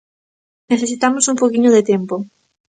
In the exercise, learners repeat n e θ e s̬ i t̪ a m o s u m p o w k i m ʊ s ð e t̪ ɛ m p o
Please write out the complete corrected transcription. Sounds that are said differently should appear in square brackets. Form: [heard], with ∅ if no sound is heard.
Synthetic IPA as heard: n e θ e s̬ i t̪ a m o s u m p o w k i [ɲ] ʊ [∅] ð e t̪ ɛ m p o